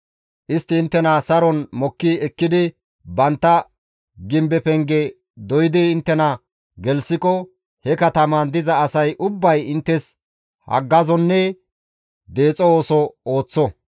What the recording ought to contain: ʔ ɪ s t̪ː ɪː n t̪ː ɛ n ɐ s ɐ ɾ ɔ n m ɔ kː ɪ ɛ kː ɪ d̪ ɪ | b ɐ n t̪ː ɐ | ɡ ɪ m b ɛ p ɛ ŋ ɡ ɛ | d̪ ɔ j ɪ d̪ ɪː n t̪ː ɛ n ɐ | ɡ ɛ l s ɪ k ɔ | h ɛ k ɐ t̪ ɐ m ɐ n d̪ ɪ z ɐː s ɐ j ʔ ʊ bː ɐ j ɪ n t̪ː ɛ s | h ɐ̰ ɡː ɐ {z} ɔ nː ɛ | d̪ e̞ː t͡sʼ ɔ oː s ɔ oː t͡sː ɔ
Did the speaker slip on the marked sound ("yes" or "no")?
no